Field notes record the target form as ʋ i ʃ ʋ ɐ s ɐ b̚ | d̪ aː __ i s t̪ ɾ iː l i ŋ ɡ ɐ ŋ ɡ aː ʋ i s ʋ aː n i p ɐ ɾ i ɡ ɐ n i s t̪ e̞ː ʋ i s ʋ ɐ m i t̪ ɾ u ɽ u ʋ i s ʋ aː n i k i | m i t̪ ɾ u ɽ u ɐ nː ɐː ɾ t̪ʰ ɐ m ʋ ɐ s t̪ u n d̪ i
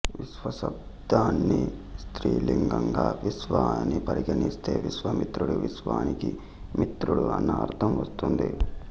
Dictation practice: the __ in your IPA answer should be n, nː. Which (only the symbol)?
nː